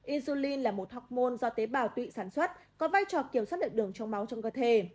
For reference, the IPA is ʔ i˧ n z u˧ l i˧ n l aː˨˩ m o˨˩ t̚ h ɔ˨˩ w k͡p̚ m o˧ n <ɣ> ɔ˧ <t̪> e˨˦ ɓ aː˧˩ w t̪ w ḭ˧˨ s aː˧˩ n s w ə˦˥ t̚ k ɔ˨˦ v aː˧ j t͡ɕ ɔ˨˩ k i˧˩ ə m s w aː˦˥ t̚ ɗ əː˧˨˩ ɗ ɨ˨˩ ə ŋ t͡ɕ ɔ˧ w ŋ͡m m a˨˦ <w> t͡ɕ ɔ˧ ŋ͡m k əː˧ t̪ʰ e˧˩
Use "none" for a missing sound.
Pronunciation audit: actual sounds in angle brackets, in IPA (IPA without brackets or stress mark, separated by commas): z, t̪, w